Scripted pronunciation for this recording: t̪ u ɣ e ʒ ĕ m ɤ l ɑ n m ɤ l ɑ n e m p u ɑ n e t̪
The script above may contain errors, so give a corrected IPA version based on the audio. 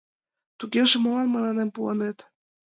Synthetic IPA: t̪ u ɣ e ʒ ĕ m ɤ l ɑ n m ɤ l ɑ n e m p u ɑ n e t̪